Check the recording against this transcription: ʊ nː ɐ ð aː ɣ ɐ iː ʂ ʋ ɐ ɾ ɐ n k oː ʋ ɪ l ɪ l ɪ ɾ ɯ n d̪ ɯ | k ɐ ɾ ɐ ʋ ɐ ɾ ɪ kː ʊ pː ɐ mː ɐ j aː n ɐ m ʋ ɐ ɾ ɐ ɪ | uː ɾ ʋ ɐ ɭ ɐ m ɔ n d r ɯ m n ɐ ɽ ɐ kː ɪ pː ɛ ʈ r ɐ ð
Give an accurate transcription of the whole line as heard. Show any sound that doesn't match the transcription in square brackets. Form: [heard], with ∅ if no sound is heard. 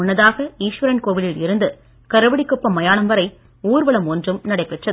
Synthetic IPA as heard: ʊ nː ɐ ð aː ɣ ɐ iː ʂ ʋ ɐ ɾ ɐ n k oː ʋ ɪ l ɪ l ɪ ɾ ɯ n d̪ ɯ | k ɐ ɾ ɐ ʋ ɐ [ɽ] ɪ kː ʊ pː ɐ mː ɐ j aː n ɐ m ʋ ɐ ɾ ɐ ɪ | uː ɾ ʋ ɐ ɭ ɐ m ɔ n d r ɯ m n ɐ ɽ ɐ [∅] ɪ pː ɛ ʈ r ɐ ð